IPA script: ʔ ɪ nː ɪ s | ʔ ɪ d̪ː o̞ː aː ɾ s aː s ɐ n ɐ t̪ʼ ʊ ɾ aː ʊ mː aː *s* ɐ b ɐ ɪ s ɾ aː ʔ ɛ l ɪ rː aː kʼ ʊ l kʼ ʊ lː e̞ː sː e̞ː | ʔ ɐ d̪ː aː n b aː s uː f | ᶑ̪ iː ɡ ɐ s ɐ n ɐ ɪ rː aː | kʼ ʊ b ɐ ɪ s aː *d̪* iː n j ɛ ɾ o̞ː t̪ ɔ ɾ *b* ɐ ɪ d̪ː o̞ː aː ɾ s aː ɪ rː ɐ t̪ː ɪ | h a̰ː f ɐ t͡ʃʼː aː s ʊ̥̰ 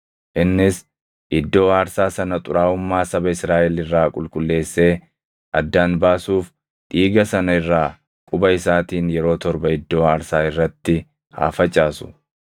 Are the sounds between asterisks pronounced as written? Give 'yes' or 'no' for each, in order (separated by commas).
yes, no, yes